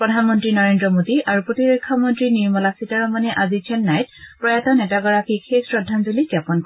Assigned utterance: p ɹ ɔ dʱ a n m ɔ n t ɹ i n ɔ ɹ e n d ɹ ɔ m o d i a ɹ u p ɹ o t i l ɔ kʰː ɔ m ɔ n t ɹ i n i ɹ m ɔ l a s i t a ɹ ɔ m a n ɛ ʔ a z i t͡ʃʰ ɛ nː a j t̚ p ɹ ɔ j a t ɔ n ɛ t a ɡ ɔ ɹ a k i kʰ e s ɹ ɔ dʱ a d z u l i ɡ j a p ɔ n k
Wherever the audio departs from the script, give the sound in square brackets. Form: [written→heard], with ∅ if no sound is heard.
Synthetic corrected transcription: p ɹ ɔ dʱ a n m ɔ n t ɹ i n ɔ ɹ e n d ɹ ɔ m o d i a ɹ u p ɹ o t i [l→ɹ] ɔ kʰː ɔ m ɔ n t ɹ i n i ɹ m ɔ l a s i t a ɹ ɔ m a n ɛ ʔ a z i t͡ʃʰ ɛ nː a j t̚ p ɹ ɔ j a t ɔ n ɛ t a ɡ ɔ ɹ a k i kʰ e s ɹ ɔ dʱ a [d→n] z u l i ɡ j a p ɔ n k

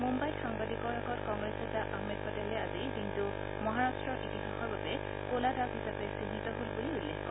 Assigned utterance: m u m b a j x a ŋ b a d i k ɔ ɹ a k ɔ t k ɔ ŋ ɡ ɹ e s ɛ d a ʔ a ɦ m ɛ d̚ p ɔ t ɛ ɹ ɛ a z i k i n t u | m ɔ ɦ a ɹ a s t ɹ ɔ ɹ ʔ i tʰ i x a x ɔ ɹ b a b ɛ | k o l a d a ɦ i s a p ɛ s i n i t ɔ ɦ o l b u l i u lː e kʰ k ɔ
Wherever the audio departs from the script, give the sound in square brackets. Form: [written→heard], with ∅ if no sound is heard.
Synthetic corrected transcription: m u m b a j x a ŋ b a d i k ɔ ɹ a k ɔ t k ɔ ŋ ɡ ɹ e s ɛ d a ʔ a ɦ m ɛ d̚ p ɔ t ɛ [ɹ→l] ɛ a z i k i n t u | m ɔ ɦ a ɹ a s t ɹ ɔ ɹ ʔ i [tʰ→t] i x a x ɔ ɹ b a b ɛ | k o l a d a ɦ i s a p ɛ s i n i t ɔ ɦ o l b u l i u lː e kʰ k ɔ

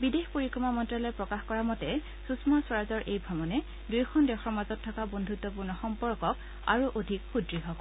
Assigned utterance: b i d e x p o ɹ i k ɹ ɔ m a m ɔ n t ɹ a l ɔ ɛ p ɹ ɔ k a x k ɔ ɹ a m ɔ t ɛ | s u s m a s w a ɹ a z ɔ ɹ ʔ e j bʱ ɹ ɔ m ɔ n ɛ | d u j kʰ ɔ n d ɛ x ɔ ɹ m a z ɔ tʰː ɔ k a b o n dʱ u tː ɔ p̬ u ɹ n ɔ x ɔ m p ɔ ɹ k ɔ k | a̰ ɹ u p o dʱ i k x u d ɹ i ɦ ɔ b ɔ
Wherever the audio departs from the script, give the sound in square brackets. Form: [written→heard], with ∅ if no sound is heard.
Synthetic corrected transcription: b i d e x p o ɹ i k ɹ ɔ m a m ɔ n t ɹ a l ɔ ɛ p ɹ ɔ k a x k ɔ ɹ a m ɔ t ɛ | s u s m a s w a ɹ a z ɔ ɹ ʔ e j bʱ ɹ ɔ m ɔ n ɛ | d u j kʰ ɔ n d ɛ x ɔ ɹ m a z ɔ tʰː ɔ k a b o n dʱ u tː ɔ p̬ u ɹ n ɔ x ɔ m p ɔ ɹ k ɔ k | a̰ ɹ u [p→ʔ] o dʱ i k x u d ɹ i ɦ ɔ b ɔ

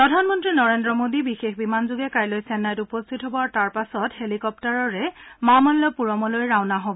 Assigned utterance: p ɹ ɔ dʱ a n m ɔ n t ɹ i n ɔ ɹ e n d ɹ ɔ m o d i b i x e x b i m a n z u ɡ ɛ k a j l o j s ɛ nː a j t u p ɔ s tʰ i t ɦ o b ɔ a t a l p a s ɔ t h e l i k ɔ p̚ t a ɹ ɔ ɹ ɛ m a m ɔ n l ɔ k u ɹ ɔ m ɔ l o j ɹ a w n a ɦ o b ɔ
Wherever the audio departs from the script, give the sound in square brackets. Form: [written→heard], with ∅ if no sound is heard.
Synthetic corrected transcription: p ɹ ɔ dʱ a n m ɔ n t ɹ i n ɔ ɹ e n d ɹ ɔ m o d i b i x e x b i m a n z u ɡ ɛ k a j l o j s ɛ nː a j t u p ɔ s tʰ i t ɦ o b ɔ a t a [l→ɹ] p a s ɔ t h e l i k ɔ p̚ t a ɹ ɔ ɹ ɛ m a m ɔ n l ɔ [k→p] u ɹ ɔ m ɔ l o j ɹ a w n a ɦ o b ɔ

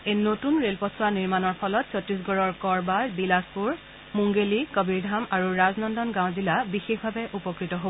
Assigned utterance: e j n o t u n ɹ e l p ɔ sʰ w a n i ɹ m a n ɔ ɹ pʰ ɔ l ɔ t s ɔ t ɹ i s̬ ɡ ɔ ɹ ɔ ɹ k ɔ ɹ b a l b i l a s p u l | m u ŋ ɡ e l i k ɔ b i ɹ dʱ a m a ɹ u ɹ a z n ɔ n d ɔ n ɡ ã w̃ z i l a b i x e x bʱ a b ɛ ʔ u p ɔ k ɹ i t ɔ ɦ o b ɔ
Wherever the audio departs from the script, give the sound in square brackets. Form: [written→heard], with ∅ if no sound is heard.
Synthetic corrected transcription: e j n o t u n ɹ e l p ɔ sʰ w a n i ɹ m a n ɔ ɹ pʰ ɔ l ɔ t s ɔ t ɹ i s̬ ɡ ɔ ɹ ɔ ɹ k ɔ ɹ b a l b i l a s p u [l→ɹ] | m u ŋ ɡ e l i k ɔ b i ɹ dʱ a m a ɹ u ɹ a z n ɔ n d ɔ n ɡ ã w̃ z i l a b i x e x bʱ a b ɛ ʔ u p ɔ k ɹ i t ɔ ɦ o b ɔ

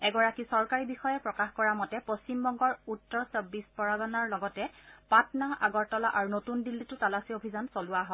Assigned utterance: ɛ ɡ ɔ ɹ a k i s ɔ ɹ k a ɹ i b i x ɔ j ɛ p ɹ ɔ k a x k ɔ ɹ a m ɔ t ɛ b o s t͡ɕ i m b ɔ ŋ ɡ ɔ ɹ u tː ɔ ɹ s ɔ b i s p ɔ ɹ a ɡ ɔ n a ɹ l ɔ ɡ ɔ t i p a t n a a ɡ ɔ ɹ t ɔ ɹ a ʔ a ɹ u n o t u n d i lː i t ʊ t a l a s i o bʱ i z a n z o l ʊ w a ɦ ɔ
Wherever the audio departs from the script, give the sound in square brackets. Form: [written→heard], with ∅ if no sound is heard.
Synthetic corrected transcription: ɛ ɡ ɔ ɹ a k i s ɔ ɹ k a ɹ i b i x ɔ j ɛ p ɹ ɔ k a x k ɔ ɹ a m ɔ t ɛ [b→p] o s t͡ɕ i m b ɔ ŋ ɡ ɔ ɹ u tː ɔ ɹ s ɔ b i s p ɔ ɹ a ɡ ɔ n a ɹ l ɔ ɡ ɔ t [i→ɛ] p a t n a a ɡ ɔ ɹ t ɔ [ɹ→l] a ʔ a ɹ u n o t u n d i lː i t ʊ t a l a s i o bʱ i z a n [z→s] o l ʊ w a ɦ ɔ

